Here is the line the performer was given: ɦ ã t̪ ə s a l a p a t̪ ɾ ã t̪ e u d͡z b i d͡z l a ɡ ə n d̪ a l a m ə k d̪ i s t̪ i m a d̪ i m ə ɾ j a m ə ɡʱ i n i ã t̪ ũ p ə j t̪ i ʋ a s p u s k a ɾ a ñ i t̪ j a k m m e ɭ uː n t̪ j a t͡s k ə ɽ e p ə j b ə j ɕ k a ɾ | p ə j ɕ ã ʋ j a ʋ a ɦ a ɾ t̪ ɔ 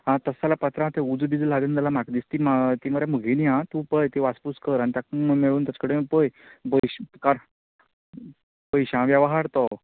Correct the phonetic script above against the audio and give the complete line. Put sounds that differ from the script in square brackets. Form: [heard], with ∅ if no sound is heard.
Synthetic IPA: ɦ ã t̪ ə s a l a p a t̪ ɾ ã t̪ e u d͡z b i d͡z l a ɡ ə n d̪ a l a m [a] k d̪ i s t̪ i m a [t̪] i m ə ɾ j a m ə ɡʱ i n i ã t̪ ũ p ə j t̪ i ʋ a s p u s k [ə] ɾ a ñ i t̪ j a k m m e ɭ uː n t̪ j a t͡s k ə ɽ e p ə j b ə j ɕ k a ɾ | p ə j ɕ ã ʋ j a ʋ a ɦ a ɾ t̪ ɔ

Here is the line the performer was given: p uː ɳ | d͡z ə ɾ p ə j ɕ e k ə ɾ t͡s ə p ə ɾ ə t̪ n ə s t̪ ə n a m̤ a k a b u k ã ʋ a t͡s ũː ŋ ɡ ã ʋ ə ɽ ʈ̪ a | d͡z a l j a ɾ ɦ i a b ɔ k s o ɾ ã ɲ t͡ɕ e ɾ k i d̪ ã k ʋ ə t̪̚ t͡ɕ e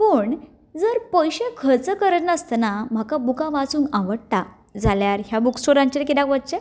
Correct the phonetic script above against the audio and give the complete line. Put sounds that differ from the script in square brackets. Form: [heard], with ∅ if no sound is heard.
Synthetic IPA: p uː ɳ | d͡z ə ɾ p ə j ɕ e [kʰ] ə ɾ t͡s ə [k] ə ɾ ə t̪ n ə s t̪ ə n a m̤ a k a b u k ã ʋ a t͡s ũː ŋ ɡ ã ʋ ə ɽ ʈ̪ a | d͡z a l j a ɾ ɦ [j] a b [u] k s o ɾ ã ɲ t͡ɕ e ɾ k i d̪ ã k ʋ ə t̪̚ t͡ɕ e

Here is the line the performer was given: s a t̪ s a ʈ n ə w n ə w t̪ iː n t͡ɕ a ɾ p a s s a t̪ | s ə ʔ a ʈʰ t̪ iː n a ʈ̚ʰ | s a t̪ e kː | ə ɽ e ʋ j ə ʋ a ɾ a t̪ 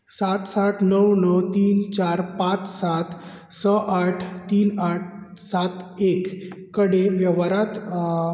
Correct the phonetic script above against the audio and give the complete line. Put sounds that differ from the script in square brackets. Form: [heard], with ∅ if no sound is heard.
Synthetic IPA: s a t̪ s a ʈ n ə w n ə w t̪ iː n t͡ɕ a ɾ p a [t͡s] s a t̪ | s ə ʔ a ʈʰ t̪ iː n a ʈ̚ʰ | s a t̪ e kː | ə ɽ e ʋ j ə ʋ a ɾ a t̪

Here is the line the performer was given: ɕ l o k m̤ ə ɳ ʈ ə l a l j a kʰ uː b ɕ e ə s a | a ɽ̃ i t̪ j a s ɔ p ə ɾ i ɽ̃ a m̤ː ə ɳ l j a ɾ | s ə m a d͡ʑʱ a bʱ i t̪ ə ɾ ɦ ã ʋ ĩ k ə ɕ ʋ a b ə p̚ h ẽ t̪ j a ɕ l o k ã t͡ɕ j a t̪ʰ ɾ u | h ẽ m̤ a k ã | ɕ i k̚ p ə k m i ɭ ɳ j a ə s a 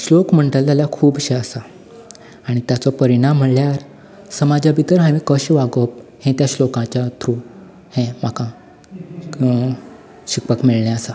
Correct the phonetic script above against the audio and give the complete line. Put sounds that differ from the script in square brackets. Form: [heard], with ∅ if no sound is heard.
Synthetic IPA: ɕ l o k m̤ ə ɳ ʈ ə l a l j a kʰ uː b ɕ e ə s a | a ɽ̃ i t̪ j a [t͡s] ɔ p ə ɾ i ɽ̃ a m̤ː ə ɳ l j a ɾ | s ə m a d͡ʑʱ a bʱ i t̪ ə ɾ ɦ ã ʋ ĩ k ə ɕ ʋ a [ɡ] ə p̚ h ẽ t̪ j a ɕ l o k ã t͡ɕ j a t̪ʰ ɾ u | h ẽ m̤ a k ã | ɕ i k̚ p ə k m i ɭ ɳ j a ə s a

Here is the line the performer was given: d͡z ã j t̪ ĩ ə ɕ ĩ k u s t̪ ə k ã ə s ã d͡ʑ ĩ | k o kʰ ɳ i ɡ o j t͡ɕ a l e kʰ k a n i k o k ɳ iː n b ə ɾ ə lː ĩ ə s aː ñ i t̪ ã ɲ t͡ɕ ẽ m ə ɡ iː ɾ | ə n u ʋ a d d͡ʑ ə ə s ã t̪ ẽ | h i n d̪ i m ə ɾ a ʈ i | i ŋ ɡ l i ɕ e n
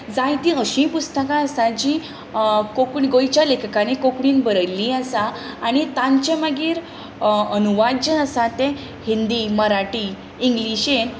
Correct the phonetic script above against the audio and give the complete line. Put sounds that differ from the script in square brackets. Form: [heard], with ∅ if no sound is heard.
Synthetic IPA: d͡z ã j t̪ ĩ ə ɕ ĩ [p] u s t̪ ə k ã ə s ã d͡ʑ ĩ | k o [k] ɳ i ɡ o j t͡ɕ a l e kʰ k a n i k o k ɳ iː n b ə ɾ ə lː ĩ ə s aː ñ i t̪ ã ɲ t͡ɕ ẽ m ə ɡ iː ɾ | ə n u ʋ a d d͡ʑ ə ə s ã t̪ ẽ | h i n d̪ i m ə ɾ a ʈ i | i ŋ ɡ l i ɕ e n

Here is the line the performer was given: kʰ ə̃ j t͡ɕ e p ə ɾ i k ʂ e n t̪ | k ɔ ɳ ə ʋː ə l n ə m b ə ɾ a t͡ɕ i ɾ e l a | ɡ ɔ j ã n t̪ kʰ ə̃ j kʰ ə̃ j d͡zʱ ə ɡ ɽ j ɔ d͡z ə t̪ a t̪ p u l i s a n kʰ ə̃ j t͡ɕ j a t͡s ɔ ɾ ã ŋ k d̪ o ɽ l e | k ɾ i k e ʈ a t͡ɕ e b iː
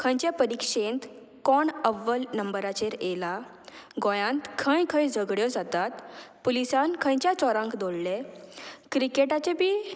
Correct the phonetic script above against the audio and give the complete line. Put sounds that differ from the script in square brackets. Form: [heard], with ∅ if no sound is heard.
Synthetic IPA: kʰ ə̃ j t͡ɕ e p ə ɾ i k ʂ e n t̪ | k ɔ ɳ ə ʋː ə l n ə m b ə ɾ a t͡ɕ [e] ɾ e l a | ɡ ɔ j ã n t̪ kʰ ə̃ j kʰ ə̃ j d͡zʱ ə ɡ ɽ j ɔ d͡z [a] t̪ a t̪ p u l i s a n kʰ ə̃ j t͡ɕ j a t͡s ɔ ɾ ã ŋ k d̪ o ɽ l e | k ɾ i k e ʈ a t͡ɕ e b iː

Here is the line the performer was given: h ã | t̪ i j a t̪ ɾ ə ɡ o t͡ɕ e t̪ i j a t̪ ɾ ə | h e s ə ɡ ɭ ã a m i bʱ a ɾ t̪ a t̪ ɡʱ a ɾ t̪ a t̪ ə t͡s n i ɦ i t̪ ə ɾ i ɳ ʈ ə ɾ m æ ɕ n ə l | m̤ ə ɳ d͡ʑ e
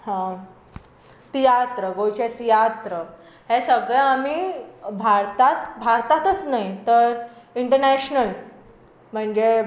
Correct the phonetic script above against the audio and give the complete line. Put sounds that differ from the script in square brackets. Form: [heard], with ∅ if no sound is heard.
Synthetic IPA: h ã | t̪ i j a t̪ ɾ ə ɡ o t͡ɕ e t̪ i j a t̪ ɾ ə | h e s ə ɡ ɭ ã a m i bʱ a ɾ t̪ a t̪ [bʱ] a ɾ t̪ a t̪ ə t͡s n [a] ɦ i t̪ ə ɾ i ɳ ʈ ə ɾ [n] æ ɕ n ə l | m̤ ə ɳ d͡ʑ e

